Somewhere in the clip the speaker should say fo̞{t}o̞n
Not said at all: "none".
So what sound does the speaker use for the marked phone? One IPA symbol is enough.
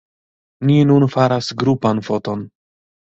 t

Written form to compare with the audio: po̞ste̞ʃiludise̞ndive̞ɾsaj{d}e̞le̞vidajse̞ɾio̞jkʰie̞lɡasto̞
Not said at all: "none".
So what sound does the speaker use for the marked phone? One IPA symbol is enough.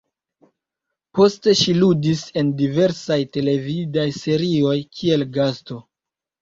t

